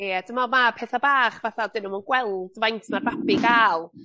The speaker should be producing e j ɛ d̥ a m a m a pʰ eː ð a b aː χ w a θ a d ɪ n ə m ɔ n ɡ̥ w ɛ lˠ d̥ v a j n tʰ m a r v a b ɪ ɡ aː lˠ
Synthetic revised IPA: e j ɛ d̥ ə m a m a pʰ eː θ a b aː χ v a θ a d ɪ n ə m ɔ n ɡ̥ w ɛ lˠ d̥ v a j n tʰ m a r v a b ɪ ɡ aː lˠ